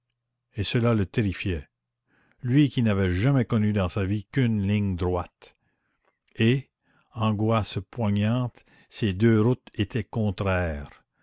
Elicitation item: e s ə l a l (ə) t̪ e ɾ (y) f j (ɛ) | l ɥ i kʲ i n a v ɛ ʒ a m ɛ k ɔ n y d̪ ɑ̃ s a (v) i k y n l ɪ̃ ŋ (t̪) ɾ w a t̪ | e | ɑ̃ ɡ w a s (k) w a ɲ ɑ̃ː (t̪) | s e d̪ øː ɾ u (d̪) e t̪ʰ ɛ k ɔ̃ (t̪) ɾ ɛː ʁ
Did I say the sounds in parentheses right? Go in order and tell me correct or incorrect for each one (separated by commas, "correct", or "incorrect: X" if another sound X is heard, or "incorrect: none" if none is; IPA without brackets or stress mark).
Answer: correct, incorrect: i, correct, correct, incorrect: d̪, incorrect: p, correct, incorrect: t̪, correct